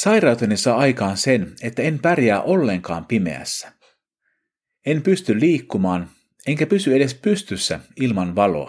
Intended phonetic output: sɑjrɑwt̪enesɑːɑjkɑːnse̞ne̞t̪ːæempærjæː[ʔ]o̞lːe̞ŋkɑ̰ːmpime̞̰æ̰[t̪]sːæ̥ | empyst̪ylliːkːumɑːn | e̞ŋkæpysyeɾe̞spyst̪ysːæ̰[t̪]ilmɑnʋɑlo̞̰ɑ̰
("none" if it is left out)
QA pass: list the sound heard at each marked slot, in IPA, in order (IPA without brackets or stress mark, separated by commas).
ʔ, none, none